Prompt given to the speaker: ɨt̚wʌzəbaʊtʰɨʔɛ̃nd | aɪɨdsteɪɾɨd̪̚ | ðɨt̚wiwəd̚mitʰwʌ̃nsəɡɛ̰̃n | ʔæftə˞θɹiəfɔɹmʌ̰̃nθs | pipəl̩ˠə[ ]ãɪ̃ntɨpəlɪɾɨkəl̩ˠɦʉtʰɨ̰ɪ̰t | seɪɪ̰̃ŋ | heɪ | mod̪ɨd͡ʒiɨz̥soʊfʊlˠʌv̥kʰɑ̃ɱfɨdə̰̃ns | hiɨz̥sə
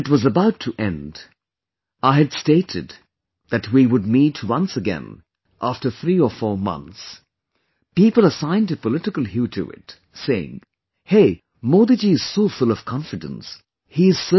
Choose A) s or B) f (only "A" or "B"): A